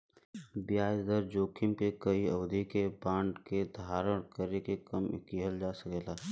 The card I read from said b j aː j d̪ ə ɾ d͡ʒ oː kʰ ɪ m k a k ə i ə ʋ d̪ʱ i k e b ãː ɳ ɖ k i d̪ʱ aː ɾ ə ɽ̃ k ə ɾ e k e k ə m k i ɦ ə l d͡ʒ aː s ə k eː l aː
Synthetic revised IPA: b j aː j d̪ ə ɾ d͡ʒ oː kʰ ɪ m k e k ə i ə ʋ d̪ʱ i k e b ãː ɳ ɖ k e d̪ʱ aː ɾ ə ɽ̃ k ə ɾ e k e k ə m k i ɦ ə l d͡ʒ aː s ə k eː l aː

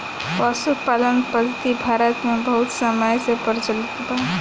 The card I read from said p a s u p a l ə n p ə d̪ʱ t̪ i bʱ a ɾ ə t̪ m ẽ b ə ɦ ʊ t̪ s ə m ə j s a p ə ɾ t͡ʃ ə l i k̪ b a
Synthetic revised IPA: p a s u p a l ə n p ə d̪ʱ t̪ i bʱ a ɾ ə t̪ m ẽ b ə ɦ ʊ t̪ s ə m ə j s e p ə ɾ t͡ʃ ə l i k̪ b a

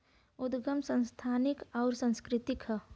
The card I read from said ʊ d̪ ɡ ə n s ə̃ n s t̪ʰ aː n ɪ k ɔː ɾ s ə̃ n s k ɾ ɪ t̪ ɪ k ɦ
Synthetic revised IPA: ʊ d̪ ɡ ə m s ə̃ n s t̪ʰ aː n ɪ k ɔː ɾ s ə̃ n s k ɾ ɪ t̪ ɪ k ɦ

